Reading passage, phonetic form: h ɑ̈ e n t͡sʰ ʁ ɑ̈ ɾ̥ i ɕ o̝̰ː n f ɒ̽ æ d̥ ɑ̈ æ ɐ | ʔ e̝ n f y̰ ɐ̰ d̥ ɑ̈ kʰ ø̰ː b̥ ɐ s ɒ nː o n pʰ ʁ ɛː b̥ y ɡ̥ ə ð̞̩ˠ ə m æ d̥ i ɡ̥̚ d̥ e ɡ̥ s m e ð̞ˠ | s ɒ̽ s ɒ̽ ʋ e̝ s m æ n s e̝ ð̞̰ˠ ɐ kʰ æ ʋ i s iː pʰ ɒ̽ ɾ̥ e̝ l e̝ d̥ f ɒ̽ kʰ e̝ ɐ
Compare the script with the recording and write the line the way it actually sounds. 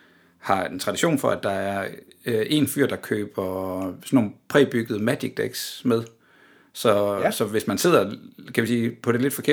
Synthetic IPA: h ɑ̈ e n t͡sʰ ʁ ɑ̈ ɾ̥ i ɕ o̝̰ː n f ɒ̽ æ d̥ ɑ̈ æ ɐ | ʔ e̝ n f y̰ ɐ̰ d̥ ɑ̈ kʰ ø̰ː b̥ ɐ s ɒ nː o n pʰ ʁ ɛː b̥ y ɡ̥ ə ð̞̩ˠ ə m æ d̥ i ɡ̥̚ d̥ e ɡ̥ s m e ð̞ˠ | s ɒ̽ s ɒ̽ ʋ e̝ s m æ n s e̝ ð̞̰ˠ ɐ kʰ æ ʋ i s iː pʰ ɒ̽ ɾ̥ e̝ l e̝ d̥ f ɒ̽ kʰ e̝ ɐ